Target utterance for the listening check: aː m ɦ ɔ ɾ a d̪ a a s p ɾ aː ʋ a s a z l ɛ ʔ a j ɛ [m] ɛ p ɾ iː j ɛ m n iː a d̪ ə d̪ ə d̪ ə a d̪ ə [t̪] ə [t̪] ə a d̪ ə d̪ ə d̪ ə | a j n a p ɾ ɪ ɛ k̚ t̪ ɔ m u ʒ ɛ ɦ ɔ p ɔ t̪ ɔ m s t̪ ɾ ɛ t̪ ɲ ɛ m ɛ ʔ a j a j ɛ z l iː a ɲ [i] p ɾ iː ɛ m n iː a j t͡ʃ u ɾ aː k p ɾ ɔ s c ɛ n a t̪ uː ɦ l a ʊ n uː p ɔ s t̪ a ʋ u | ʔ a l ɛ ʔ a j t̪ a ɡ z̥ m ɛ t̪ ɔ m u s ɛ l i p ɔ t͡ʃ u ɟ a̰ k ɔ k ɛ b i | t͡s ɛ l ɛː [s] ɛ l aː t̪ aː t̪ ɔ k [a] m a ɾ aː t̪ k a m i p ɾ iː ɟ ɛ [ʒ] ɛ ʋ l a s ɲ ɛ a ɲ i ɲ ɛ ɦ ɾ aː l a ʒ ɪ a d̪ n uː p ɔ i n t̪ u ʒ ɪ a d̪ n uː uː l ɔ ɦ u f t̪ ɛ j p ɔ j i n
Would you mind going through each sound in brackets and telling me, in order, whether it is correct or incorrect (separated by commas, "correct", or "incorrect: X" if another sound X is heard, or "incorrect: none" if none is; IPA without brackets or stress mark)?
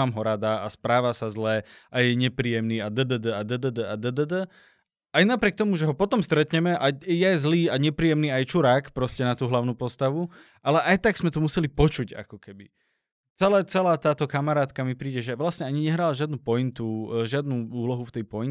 incorrect: ɲ, incorrect: d̪, incorrect: d̪, incorrect: ɛ, incorrect: t͡s, correct, correct